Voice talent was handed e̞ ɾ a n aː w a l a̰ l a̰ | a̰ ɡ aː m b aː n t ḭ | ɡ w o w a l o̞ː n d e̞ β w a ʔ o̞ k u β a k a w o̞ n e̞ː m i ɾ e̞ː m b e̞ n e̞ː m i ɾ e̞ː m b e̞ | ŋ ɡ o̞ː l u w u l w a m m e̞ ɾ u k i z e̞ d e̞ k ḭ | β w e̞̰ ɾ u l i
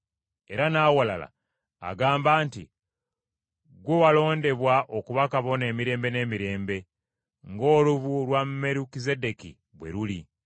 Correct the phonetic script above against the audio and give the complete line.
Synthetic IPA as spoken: e̞ ɾ a n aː w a l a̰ l a̰ | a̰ ɡ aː m b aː n t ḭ | ɡ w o w a l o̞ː n d e̞ β w a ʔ o̞ k u β a k a β o̞ n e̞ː m i ɾ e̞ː m b e̞ n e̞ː m i ɾ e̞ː m b e̞ | ŋ ɡ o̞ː l u β u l w a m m e̞ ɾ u k i z e̞ d e̞ k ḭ | β w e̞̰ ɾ u l i

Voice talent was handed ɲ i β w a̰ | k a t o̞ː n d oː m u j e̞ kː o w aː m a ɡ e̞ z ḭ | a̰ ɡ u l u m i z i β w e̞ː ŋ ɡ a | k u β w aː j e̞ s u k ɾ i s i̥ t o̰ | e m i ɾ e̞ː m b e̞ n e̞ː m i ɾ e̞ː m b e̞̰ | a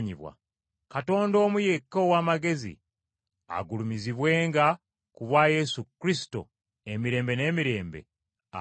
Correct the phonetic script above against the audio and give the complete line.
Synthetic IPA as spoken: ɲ i β w a̰ | k a t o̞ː n d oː m u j e̞ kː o w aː m a ɡ e̞ z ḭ | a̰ ɡ u l u m i z i β w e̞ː ŋ ɡ a | k u β w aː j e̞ s u k ɾ i s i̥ t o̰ | e m i ɾ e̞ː m b e̞ n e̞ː m i ɾ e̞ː m b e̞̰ | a

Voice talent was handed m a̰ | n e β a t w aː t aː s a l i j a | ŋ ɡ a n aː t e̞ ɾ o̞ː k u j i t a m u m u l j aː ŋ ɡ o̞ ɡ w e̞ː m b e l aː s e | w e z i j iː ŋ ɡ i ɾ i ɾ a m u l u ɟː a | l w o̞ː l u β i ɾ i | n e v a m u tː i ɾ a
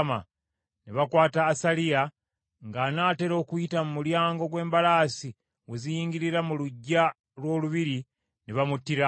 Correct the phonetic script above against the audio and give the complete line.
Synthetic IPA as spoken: m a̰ | n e β a k w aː t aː s a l i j a | ŋ ɡ a n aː t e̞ ɾ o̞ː k u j i t a m u m u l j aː ŋ ɡ o̞ ɡ w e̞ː m b a l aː s i | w e z i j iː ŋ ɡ i ɾ i ɾ a m u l u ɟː a | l w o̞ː l u β i ɾ i | n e β a m u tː i ɾ a

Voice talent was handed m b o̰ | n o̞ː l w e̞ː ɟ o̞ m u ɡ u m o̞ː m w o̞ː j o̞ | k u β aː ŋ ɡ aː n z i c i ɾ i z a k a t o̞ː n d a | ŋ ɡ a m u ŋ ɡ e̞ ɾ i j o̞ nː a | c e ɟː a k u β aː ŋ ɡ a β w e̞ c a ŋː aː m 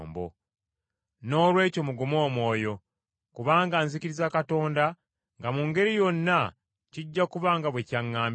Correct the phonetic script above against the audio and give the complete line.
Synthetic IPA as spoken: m b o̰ | n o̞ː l w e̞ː c o̞ m u ɡ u m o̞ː m w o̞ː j o̞ | k u β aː ŋ ɡ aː n z i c i ɾ i z a k a t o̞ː n d a | ŋ ɡ a m u ŋ ɡ e̞ ɾ i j o̞ nː a | c i ɟː a k u β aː ŋ ɡ a β w e̞ c a ŋː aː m

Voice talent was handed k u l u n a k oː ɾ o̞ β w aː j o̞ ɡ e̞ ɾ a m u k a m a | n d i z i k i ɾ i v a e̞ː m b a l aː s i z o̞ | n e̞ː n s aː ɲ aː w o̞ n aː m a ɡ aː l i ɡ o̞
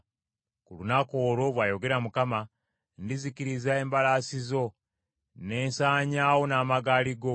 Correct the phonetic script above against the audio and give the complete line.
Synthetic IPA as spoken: k u l u n a k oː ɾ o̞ β w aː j o̞ ɡ e̞ ɾ a m u k a m a | n d i z i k i ɾ i z a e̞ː m b a l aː s i z o̞ | n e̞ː n s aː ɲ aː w o̞ n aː m a ɡ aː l i ɡ o̞

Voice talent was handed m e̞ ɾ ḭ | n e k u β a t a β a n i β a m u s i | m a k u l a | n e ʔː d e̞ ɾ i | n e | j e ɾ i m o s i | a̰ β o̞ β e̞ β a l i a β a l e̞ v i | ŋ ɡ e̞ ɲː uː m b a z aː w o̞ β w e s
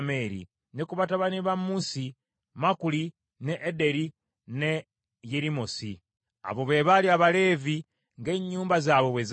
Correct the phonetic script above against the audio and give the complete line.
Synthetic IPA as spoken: m e̞ ɾ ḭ | n e k u β a t a β a n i β a m u s i | m a k u l i | n e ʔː d e̞ ɾ i | n e | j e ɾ i m o s i | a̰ β o̞ β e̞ β a l i a β a l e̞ v i | ŋ ɡ e̞ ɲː uː m b a z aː β o̞ β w e z

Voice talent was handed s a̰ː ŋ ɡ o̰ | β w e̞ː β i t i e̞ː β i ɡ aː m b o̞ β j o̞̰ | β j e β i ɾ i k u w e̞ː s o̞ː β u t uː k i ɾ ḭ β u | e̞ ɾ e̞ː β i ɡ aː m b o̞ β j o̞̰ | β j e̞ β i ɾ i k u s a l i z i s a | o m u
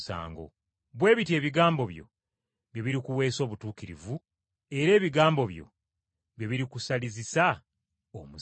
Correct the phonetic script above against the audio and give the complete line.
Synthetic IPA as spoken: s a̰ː ŋ ɡ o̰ | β w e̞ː β i t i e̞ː β i ɡ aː m b o̞ β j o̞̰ | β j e β i ɾ i k u w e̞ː s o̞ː β u t uː k i ɾ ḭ v u | e̞ ɾ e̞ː β i ɡ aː m b o̞ β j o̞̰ | β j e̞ β i ɾ i k u s a l i z i s a | o m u

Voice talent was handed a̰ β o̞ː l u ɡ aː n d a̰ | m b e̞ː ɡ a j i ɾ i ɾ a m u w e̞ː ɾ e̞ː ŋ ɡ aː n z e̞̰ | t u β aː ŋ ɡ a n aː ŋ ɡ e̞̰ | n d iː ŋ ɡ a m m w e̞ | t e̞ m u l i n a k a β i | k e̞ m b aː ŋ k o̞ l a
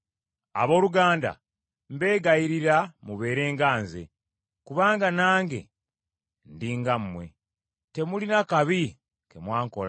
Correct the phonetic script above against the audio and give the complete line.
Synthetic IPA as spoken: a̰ β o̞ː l u ɡ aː n d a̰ | m b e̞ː ɡ a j i ɾ i ɾ a m u β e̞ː ɾ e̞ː ŋ ɡ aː n z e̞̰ | k u β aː ŋ ɡ a n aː ŋ ɡ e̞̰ | n d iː ŋ ɡ a m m w e̞ | t e̞ m u l i n a k a β i | k e̞ m w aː ŋ k o̞ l a

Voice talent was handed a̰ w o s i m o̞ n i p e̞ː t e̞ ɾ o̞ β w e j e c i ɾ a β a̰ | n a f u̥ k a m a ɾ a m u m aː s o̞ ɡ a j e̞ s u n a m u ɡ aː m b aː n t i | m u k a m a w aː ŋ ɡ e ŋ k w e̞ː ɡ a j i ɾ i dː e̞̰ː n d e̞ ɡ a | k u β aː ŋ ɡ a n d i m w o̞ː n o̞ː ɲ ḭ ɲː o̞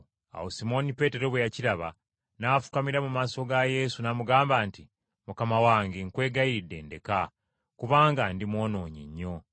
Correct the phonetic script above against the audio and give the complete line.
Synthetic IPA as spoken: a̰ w o s i m o̞ n i p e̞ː t e̞ ɾ o̞ β w e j a c i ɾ a β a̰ | n a f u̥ k a m i ɾ a m u m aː s o̞ ɡ a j e̞ s u n a m u ɡ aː m b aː n t i | m u k a m a w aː ŋ ɡ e ŋ k w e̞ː ɡ a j i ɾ i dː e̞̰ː n d e̞ k a | k u β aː ŋ ɡ a n d i m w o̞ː n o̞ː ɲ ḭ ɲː o̞

